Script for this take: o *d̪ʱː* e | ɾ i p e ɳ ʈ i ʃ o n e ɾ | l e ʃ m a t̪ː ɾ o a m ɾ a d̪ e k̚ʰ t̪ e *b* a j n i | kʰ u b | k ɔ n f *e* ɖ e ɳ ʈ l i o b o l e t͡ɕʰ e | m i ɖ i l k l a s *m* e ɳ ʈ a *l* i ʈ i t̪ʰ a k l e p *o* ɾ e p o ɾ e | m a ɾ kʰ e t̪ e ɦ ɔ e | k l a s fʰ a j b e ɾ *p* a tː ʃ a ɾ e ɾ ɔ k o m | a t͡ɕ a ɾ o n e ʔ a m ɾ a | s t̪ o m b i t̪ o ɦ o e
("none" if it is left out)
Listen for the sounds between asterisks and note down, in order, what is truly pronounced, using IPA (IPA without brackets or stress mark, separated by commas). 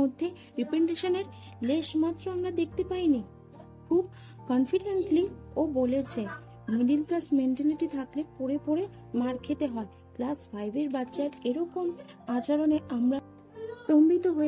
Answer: d̪ʱː, p, i, m, l, o, b